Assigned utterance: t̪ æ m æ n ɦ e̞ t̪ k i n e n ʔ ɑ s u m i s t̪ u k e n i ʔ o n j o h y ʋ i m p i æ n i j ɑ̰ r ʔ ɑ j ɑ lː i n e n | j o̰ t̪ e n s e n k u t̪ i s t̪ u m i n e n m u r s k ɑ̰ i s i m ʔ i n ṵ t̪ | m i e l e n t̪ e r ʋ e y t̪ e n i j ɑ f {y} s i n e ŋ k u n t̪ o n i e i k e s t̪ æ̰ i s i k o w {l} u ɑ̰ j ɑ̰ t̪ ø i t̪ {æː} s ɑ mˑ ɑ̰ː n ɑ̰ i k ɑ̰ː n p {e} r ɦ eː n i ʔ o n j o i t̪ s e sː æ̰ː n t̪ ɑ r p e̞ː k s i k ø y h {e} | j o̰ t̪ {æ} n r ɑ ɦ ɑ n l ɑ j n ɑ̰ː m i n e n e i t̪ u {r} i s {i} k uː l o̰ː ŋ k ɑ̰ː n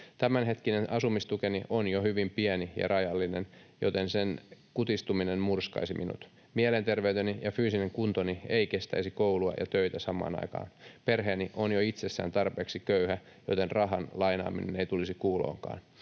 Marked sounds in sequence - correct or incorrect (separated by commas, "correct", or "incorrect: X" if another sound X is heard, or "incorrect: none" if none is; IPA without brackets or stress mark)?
incorrect: yː, correct, incorrect: æ, correct, incorrect: æ, incorrect: e, incorrect: l, correct